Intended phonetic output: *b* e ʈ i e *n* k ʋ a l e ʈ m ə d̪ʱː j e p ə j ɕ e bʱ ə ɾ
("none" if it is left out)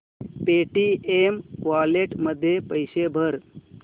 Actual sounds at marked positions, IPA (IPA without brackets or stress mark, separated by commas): p, m